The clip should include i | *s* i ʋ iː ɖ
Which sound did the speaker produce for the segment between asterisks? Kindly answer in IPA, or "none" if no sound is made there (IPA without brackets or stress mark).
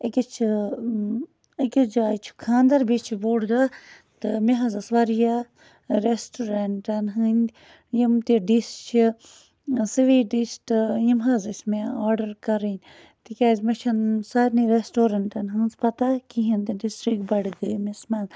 s